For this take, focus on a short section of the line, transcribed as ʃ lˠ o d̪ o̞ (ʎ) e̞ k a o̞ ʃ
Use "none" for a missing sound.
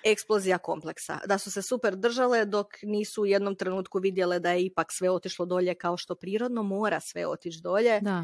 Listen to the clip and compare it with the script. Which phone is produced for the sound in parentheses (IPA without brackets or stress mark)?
ʎ